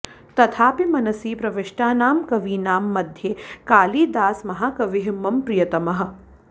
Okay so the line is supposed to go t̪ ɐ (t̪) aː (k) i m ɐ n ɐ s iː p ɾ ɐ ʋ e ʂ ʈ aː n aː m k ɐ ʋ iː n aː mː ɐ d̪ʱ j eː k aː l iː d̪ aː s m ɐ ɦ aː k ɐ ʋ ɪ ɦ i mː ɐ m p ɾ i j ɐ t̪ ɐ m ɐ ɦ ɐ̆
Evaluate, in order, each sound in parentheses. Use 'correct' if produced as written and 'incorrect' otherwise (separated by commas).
incorrect, incorrect